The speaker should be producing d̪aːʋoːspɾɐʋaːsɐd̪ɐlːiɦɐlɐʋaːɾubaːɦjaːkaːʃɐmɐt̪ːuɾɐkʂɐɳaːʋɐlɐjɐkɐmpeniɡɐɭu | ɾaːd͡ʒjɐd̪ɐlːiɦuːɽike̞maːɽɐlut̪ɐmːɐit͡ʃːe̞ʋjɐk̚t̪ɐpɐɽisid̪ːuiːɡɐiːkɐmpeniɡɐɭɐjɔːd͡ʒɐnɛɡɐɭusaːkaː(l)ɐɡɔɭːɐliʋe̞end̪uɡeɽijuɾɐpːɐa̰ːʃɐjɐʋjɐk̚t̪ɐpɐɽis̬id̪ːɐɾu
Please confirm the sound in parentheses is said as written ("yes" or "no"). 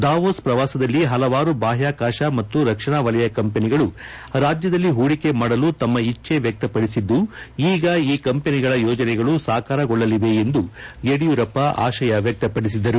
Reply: no